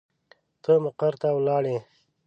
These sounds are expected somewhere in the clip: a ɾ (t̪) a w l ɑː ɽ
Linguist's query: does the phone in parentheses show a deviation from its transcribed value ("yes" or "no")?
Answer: no